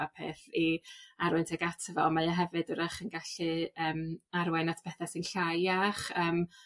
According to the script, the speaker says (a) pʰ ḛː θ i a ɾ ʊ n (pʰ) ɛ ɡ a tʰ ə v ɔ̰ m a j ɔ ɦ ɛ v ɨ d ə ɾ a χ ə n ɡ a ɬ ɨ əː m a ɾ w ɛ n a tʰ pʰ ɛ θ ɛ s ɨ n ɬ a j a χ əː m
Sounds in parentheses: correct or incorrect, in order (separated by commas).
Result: correct, incorrect